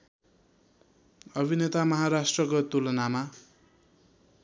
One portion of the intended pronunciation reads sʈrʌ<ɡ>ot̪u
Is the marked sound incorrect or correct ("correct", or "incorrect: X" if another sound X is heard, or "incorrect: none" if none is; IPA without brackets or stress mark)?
incorrect: k